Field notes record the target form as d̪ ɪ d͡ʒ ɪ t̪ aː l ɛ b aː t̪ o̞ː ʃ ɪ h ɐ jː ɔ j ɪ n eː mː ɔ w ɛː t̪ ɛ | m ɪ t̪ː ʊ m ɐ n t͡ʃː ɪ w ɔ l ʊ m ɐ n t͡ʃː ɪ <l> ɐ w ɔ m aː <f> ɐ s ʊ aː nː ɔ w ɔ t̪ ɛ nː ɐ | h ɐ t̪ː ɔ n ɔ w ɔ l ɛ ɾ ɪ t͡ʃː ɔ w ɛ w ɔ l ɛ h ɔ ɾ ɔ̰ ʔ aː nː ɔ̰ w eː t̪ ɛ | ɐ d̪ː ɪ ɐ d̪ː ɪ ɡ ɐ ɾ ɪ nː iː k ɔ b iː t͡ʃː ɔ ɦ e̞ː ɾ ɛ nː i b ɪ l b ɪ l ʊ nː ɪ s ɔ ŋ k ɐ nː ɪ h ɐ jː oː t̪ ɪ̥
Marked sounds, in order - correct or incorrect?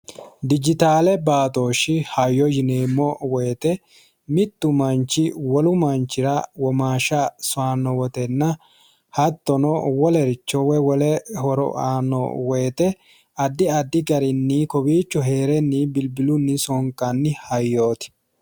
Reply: incorrect, incorrect

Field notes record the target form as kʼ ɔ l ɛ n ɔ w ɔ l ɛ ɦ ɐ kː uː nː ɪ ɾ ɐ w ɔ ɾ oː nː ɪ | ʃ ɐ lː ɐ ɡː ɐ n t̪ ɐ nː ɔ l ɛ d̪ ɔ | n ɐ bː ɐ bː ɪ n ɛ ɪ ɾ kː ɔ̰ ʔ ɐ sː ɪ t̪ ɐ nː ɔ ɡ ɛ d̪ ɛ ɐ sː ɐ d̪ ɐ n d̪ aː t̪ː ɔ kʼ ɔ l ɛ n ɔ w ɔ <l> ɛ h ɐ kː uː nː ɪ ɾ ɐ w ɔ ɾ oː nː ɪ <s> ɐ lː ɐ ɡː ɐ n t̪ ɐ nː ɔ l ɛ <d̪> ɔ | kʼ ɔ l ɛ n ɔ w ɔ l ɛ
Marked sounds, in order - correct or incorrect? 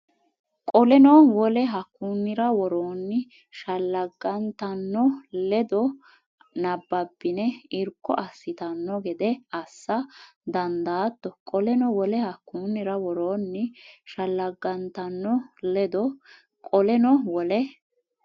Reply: correct, incorrect, correct

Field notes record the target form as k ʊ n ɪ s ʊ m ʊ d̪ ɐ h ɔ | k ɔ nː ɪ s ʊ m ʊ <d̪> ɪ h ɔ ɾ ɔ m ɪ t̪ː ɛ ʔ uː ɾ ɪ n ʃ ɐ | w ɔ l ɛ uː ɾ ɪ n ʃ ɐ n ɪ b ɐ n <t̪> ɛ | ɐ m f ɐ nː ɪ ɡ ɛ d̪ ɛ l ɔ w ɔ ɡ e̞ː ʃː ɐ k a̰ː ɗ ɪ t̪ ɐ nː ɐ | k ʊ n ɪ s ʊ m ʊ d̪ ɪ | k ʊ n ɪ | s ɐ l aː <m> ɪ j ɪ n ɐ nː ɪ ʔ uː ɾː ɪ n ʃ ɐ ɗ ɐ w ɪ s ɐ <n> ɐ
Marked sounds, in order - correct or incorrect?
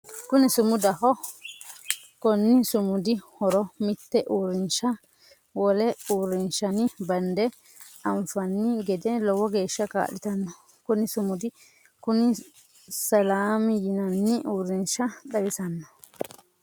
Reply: correct, incorrect, correct, incorrect

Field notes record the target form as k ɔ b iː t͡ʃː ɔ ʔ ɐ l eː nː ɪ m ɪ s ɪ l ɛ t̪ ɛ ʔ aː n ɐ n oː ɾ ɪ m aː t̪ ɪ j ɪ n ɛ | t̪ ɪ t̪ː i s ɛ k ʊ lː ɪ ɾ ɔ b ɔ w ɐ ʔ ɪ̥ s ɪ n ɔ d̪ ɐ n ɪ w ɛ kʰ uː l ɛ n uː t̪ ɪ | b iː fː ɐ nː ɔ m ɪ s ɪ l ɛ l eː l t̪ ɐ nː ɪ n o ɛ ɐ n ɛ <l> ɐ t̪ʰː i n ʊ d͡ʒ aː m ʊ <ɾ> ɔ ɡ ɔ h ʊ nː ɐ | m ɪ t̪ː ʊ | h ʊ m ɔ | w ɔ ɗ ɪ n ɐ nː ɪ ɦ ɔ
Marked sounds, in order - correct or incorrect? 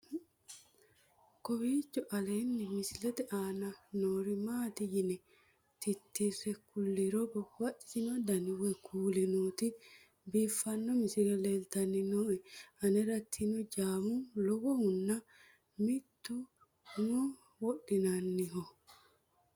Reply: incorrect, incorrect

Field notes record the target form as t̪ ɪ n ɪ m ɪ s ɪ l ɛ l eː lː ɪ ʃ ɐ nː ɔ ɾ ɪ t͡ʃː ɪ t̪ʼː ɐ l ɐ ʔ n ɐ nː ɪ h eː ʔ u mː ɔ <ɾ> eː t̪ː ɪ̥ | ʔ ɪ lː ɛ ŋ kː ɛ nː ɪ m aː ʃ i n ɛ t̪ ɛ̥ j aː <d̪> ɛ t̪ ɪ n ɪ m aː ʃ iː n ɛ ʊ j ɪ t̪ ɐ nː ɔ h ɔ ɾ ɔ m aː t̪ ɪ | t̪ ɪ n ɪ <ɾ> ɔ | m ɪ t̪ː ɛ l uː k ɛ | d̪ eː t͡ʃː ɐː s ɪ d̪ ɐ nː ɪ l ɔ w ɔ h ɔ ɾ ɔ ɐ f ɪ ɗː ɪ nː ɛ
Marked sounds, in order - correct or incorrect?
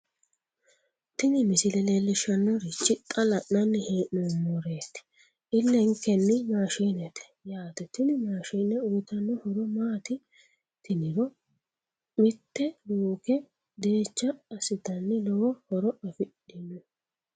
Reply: correct, incorrect, correct

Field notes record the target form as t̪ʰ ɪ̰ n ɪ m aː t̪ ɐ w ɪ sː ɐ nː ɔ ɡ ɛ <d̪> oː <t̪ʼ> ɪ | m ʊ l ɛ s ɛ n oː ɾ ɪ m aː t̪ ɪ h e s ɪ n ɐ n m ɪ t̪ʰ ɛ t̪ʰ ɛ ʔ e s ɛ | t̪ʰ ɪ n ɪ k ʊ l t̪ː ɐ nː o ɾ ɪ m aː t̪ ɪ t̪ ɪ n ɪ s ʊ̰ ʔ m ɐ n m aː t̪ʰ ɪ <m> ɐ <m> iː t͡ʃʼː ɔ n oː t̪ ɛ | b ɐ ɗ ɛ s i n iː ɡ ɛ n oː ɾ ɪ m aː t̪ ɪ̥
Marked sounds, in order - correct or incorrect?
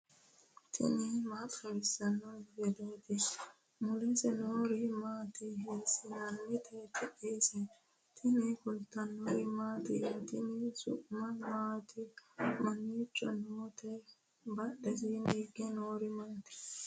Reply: correct, incorrect, correct, incorrect

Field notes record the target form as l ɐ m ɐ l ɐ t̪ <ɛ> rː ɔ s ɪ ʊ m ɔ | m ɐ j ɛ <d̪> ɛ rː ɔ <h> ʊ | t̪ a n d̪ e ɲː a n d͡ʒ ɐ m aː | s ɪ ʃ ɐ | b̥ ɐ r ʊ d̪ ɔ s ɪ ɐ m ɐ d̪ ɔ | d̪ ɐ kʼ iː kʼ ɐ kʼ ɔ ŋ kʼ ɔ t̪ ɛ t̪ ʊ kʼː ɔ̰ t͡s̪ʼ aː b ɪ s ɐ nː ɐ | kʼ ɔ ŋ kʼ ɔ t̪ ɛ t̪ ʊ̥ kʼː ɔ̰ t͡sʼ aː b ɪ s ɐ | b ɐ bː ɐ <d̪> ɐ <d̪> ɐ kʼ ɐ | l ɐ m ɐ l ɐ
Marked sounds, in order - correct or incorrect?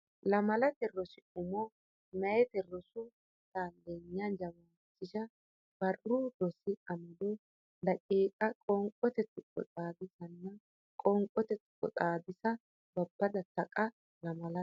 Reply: correct, incorrect, incorrect, correct, incorrect

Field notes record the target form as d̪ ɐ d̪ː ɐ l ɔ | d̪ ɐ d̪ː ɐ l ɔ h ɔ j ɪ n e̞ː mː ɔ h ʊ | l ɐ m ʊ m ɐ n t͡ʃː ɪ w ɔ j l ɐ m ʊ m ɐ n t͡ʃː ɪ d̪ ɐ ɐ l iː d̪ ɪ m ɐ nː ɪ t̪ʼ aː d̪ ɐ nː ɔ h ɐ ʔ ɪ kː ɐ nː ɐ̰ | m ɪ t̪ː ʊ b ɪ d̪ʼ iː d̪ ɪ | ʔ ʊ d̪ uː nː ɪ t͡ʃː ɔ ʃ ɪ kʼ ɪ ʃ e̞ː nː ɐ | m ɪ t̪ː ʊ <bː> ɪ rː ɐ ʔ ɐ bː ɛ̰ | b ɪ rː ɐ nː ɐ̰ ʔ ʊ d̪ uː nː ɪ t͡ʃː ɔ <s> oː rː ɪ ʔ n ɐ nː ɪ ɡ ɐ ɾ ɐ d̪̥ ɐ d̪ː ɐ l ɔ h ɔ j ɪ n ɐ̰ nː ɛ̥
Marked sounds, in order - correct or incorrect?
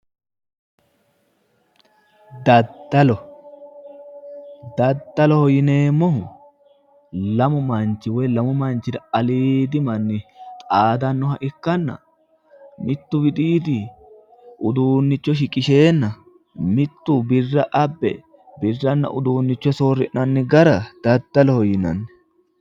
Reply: incorrect, correct

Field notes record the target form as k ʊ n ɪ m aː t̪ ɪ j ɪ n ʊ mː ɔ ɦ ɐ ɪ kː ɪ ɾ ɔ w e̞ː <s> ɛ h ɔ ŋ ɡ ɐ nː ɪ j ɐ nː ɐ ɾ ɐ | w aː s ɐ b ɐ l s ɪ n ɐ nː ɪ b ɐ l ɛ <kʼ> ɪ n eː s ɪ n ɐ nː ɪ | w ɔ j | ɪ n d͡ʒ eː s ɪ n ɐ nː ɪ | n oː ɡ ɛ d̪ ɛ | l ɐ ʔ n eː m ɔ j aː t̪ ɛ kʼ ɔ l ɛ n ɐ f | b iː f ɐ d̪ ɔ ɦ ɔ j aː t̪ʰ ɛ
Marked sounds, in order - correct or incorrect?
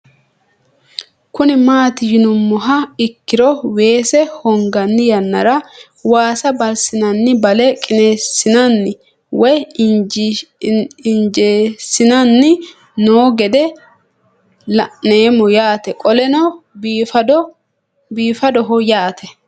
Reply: correct, correct

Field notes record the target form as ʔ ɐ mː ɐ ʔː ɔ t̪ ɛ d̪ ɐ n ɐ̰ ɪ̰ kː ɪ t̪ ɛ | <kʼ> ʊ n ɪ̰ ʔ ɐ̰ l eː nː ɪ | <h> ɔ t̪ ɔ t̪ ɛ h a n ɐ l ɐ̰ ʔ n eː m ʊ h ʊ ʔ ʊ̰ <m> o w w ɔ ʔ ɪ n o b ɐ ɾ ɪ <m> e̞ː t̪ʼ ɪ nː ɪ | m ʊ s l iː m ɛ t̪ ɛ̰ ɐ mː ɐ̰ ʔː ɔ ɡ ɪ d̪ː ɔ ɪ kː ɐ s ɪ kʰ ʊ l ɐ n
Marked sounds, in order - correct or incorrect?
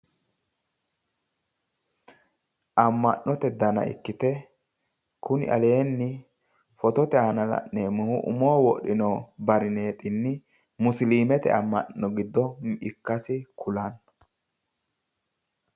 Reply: incorrect, incorrect, correct, incorrect

